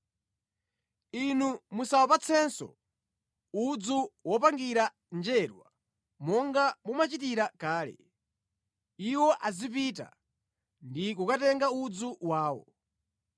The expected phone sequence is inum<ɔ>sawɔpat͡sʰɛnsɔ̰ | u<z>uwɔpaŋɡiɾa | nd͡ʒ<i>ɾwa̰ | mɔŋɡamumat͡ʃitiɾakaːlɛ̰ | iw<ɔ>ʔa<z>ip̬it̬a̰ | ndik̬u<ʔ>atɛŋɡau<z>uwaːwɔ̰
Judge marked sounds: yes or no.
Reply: no, no, no, yes, yes, no, no

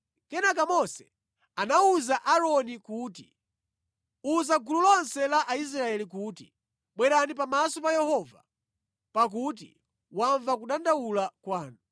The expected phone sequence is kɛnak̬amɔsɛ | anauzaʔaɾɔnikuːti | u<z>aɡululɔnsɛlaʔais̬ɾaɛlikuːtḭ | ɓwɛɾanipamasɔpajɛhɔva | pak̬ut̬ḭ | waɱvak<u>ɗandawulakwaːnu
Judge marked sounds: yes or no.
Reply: yes, yes

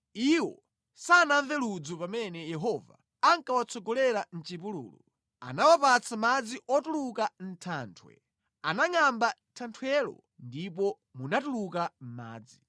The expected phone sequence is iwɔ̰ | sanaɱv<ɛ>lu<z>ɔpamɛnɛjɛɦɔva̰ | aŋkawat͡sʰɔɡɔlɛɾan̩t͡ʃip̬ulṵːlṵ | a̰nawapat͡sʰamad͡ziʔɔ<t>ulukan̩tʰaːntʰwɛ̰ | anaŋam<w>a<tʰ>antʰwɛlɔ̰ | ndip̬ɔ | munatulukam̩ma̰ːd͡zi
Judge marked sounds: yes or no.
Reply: yes, no, yes, no, yes

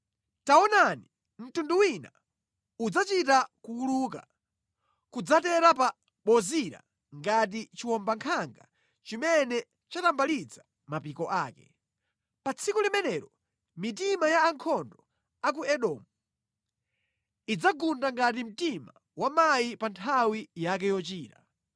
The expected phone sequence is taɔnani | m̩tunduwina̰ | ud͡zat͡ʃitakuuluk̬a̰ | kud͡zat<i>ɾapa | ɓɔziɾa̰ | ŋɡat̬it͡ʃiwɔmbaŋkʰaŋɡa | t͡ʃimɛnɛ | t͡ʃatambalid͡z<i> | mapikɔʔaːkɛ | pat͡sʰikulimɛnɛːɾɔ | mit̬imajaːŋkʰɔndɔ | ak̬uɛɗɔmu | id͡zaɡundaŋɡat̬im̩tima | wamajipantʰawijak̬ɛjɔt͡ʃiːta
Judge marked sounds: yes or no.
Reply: no, no

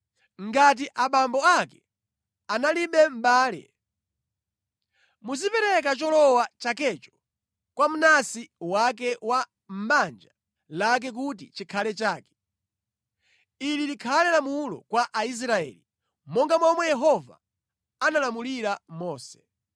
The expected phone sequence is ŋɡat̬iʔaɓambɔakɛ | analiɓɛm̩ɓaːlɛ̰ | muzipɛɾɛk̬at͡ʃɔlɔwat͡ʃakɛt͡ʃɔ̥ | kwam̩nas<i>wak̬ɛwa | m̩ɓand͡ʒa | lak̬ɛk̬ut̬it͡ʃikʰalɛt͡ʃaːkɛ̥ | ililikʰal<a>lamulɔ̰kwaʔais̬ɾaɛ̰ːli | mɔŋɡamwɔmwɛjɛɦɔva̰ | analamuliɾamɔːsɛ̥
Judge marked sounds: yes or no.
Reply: yes, no

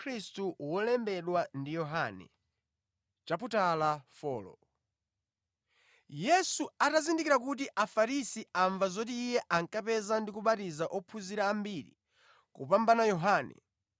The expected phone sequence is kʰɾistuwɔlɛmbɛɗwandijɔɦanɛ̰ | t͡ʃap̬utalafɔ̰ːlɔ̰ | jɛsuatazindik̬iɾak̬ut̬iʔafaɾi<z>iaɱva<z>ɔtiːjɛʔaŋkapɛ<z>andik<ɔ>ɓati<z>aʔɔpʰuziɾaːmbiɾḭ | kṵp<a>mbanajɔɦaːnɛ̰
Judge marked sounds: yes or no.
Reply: no, yes, yes, no, yes, yes

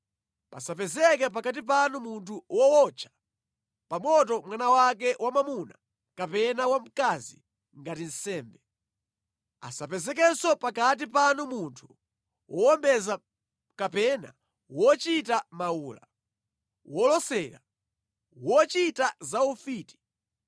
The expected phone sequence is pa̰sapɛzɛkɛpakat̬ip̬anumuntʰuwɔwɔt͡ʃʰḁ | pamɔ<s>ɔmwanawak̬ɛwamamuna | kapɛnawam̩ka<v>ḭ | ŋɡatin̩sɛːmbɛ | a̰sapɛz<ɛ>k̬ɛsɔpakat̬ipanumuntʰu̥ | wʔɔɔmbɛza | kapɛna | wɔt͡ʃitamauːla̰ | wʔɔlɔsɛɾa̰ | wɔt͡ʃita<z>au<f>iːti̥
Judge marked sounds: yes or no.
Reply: no, no, yes, yes, yes

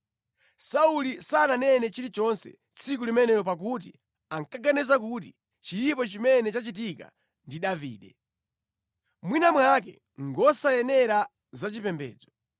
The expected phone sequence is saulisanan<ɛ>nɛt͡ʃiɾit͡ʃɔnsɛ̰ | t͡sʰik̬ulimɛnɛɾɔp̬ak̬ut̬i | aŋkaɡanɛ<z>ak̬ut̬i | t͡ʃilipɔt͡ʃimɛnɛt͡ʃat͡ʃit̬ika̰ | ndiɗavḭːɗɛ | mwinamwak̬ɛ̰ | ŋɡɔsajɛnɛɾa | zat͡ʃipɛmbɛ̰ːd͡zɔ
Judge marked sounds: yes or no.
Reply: yes, yes

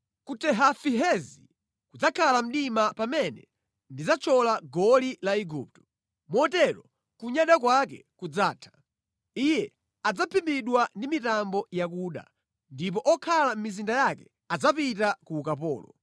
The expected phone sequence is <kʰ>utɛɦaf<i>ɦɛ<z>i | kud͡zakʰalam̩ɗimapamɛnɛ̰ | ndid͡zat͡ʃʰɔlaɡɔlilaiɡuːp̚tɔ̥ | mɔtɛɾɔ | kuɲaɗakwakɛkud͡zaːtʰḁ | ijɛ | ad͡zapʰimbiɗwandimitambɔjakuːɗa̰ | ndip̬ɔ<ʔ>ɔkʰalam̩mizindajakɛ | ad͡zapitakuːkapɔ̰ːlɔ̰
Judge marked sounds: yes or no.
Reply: no, yes, yes, yes

